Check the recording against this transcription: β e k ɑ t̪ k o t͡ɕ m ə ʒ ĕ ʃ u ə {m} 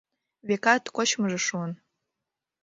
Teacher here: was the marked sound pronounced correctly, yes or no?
no